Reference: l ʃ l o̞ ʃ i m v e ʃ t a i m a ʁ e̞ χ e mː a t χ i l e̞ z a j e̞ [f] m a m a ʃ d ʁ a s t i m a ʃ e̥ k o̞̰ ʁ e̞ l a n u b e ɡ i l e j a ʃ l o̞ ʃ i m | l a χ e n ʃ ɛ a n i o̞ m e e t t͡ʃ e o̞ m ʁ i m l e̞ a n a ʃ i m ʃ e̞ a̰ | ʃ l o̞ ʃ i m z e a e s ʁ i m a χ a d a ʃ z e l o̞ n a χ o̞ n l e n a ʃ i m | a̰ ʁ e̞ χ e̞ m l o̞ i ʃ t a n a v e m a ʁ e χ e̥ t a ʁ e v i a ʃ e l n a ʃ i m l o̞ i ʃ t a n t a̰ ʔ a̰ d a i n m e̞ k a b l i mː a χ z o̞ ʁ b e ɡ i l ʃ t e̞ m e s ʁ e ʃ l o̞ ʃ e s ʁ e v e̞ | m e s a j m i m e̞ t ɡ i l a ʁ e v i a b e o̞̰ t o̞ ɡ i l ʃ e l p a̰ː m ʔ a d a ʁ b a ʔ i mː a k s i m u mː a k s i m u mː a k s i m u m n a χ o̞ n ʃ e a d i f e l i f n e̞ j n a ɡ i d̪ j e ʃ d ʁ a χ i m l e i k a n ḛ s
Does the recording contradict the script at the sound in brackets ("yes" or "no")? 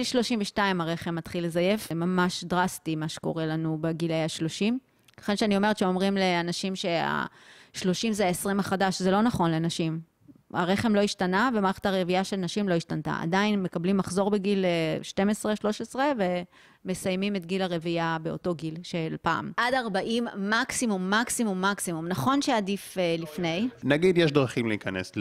no